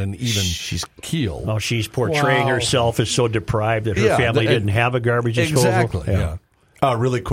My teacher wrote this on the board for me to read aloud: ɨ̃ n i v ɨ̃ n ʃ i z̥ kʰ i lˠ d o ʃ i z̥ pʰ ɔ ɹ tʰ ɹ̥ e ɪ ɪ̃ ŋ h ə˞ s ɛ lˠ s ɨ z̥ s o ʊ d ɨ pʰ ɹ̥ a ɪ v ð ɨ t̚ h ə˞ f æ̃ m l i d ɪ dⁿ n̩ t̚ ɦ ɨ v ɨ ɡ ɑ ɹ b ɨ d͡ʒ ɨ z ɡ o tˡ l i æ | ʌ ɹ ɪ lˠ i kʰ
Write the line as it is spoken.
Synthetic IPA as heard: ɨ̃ n i v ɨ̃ n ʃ i z̥ kʰ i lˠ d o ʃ i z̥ pʰ ɔ ɹ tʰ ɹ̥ e ɪ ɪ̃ ŋ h ə˞ s ɛ lˠ f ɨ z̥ s o ʊ d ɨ pʰ ɹ̥ a ɪ v ð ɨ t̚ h ə˞ f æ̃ m l i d ɪ dⁿ n̩ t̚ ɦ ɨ v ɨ ɡ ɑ ɹ b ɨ d͡ʒ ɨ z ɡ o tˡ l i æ | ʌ ɹ ɪ lˠ i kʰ